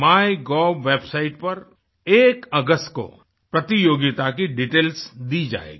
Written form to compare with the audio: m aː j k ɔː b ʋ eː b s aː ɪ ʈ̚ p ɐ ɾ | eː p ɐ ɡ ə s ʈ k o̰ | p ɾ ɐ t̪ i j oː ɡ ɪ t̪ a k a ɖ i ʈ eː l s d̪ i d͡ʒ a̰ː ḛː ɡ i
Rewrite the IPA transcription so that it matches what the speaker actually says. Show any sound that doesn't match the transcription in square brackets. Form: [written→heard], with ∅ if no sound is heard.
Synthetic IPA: m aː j [k→ɡ] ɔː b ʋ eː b s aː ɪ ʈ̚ p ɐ ɾ | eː [p→k] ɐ ɡ ə s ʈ k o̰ | p ɾ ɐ t̪ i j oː ɡ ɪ t̪ a k [a→i] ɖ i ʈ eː l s d̪ i d͡ʒ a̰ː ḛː ɡ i

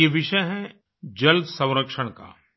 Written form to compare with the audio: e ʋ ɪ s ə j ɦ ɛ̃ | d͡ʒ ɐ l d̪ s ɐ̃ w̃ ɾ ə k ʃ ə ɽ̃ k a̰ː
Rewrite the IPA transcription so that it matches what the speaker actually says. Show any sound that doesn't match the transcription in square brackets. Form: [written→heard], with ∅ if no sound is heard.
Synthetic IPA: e ʋ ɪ [s→ʃ] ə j ɦ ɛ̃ | d͡ʒ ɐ l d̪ s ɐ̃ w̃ ɾ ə k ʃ ə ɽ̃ k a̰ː

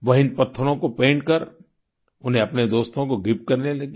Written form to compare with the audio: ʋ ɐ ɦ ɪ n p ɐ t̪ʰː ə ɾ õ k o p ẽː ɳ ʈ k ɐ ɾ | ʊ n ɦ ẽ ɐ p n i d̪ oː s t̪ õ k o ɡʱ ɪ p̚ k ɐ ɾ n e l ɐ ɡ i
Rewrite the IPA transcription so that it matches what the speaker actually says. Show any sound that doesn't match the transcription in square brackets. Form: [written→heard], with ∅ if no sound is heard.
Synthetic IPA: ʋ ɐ ɦ ɪ n p ɐ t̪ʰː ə ɾ õ k o p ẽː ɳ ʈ k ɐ ɾ | ʊ n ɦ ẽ ɐ p n [i→e] d̪ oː s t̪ õ k o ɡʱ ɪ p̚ k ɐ ɾ n e l ɐ ɡ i

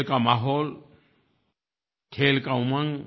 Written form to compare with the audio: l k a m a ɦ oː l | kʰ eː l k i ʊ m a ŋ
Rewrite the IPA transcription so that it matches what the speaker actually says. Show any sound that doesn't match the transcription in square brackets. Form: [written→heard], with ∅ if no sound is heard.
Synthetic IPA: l k a m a ɦ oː l | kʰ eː l k [i→a] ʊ m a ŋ

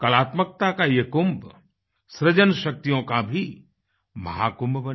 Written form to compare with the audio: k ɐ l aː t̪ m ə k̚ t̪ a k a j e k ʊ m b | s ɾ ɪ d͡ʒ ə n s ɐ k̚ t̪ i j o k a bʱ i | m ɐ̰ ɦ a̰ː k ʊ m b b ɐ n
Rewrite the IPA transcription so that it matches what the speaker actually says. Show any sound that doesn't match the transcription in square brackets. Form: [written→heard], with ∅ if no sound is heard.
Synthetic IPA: k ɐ l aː t̪ m ə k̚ t̪ a k a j e k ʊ m b | s ɾ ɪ d͡ʒ ə n [s→ʃ] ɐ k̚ t̪ i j [o→õ] k a bʱ i | m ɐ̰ ɦ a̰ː k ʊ m b b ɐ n

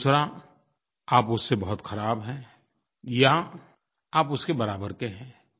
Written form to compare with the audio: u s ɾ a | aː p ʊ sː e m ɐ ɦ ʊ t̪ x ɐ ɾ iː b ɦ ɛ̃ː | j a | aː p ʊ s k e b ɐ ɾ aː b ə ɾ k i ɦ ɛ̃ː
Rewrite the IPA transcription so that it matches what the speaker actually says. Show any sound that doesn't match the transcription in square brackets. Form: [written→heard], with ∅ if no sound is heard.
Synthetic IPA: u s ɾ a | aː p ʊ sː e [m→b] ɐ ɦ ʊ t̪ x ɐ ɾ [iː→aː] b ɦ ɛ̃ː | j a | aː p ʊ s k e b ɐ ɾ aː b ə ɾ k [i→e] ɦ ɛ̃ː

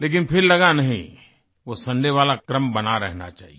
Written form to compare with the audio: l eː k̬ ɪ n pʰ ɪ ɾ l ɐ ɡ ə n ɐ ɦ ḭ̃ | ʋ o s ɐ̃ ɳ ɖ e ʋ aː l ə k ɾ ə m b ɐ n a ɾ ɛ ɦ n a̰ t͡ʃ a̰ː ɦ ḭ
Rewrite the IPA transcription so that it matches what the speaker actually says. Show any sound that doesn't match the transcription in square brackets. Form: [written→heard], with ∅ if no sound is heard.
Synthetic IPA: l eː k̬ ɪ n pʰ ɪ ɾ l ɐ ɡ [ə→a] n ɐ ɦ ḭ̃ | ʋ o s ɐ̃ ɳ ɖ e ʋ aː l [ə→a] k ɾ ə m b ɐ n a ɾ ɛ ɦ n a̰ t͡ʃ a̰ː ɦ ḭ

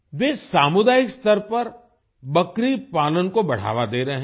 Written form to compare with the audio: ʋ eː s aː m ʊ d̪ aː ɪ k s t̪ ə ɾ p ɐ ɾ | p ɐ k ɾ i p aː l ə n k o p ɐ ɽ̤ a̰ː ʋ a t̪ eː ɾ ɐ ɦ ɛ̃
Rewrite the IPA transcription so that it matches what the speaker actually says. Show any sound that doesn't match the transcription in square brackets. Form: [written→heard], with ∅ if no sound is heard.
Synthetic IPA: ʋ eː s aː m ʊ d̪ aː ɪ k s t̪ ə ɾ p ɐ ɾ | [p→b] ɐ k ɾ i p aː l ə n k o [p→b] ɐ ɽ̤ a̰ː ʋ a [t̪→d̪] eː ɾ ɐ ɦ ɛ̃

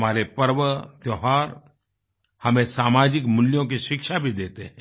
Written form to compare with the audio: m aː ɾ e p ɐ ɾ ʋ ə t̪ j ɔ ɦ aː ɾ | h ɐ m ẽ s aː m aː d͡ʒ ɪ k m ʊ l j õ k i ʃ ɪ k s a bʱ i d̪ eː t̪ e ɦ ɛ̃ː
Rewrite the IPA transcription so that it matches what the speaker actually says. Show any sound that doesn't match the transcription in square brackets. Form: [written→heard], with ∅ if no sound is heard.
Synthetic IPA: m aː ɾ e p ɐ ɾ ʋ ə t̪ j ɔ ɦ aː ɾ | h ɐ m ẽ s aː m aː d͡ʒ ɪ k m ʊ l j õ k i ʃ ɪ k [s→ʃ] a bʱ i d̪ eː t̪ e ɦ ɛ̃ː

